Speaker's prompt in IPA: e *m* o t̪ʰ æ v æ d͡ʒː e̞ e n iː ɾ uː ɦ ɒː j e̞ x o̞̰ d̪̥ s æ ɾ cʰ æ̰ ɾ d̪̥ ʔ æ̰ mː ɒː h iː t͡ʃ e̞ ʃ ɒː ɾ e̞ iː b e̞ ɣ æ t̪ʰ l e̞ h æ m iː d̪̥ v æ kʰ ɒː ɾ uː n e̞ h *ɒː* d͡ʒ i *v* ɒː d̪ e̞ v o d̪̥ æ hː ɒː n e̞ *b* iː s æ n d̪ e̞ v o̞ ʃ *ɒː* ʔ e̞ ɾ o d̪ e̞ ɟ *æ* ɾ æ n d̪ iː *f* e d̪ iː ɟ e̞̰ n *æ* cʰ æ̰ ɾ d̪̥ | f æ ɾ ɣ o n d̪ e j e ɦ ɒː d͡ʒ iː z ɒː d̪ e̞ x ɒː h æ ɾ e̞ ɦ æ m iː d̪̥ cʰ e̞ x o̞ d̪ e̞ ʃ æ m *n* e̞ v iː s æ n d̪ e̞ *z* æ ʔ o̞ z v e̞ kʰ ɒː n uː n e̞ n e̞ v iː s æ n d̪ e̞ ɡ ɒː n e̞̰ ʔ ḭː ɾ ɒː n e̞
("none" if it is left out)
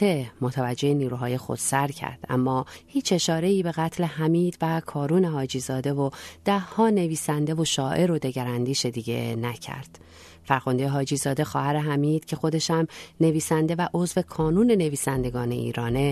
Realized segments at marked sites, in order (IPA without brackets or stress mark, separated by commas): m, ɒː, z, v, ɒː, æ, ʃ, æ, n, v